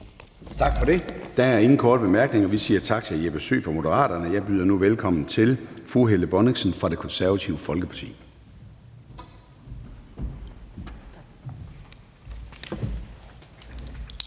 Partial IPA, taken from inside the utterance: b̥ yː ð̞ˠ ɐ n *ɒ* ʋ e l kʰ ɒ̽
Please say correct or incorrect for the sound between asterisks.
incorrect